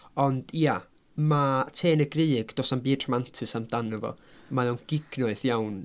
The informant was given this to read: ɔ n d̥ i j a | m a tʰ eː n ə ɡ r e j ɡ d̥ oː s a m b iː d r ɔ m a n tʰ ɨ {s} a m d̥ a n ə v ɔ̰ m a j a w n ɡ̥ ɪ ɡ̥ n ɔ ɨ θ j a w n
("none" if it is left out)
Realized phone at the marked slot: s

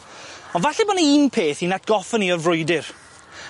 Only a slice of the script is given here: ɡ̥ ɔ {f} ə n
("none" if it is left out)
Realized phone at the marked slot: f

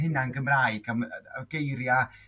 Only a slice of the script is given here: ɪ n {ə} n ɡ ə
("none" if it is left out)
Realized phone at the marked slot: a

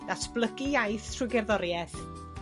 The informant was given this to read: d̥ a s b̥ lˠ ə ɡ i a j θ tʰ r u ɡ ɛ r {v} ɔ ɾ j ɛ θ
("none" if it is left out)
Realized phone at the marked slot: ð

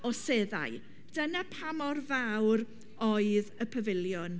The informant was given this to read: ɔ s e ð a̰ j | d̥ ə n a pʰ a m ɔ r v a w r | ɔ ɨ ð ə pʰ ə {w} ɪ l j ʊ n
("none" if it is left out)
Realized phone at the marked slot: v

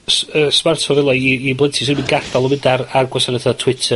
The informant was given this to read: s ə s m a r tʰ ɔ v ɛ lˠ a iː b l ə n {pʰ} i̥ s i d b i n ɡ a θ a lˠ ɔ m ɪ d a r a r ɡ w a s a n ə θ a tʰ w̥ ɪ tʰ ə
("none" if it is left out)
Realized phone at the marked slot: tʰ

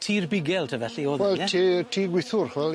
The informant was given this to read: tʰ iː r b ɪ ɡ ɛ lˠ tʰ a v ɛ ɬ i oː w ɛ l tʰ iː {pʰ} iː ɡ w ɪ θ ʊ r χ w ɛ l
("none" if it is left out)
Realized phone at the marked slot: tʰ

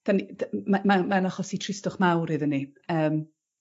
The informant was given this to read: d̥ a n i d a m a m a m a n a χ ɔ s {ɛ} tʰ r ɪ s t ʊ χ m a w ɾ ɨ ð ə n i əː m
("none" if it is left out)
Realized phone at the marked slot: i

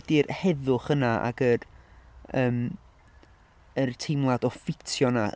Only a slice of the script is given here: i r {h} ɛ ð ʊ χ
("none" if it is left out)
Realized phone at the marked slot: h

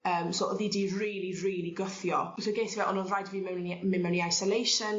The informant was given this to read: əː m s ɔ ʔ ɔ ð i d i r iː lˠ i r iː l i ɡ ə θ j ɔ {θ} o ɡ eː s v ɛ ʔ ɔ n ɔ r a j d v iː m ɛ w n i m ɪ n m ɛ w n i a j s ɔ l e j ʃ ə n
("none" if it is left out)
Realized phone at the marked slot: s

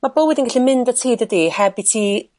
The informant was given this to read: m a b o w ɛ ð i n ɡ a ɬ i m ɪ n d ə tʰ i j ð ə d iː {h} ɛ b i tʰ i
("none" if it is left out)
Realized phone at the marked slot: h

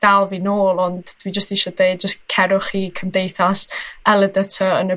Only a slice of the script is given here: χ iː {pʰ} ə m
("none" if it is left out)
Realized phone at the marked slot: kʰ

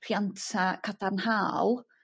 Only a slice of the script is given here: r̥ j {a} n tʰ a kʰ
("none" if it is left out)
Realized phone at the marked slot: a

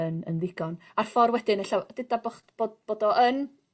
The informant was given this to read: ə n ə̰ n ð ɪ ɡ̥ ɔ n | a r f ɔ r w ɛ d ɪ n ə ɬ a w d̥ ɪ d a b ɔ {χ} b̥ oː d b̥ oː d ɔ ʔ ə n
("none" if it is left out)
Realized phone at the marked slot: χ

